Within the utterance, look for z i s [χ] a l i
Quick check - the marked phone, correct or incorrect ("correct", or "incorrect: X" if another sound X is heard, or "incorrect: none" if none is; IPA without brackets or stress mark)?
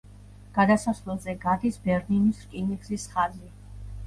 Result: correct